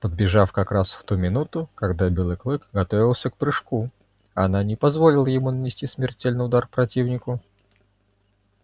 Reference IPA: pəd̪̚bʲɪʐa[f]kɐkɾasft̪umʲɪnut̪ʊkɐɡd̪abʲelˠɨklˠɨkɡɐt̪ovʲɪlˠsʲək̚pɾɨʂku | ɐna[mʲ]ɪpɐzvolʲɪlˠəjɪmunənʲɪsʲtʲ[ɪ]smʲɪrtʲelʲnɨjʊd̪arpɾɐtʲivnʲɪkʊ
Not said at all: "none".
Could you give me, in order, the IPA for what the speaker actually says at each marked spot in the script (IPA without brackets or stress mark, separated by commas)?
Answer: f, nʲ, i